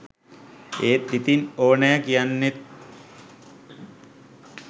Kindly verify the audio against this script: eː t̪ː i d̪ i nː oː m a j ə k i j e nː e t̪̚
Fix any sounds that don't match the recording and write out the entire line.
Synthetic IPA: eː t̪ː i t̪ i n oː n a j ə k i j a nː e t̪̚